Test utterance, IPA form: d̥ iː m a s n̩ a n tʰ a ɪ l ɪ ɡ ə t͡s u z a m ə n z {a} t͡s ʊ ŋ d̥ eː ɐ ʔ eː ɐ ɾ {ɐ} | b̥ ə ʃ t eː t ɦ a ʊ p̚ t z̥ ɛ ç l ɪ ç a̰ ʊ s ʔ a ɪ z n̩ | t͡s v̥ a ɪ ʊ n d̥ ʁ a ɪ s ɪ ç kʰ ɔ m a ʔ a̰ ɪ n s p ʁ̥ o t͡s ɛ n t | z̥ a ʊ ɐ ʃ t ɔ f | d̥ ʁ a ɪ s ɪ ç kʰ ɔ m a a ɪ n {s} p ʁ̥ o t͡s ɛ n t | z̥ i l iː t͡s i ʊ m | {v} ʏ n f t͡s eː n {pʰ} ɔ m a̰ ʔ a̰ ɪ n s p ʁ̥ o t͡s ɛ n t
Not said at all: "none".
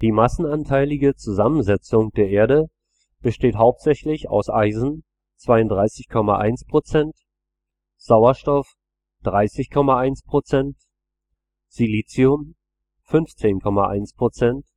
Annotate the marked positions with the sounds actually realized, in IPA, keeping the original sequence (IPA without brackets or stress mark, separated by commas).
ɛ, ə, s, f, kʰ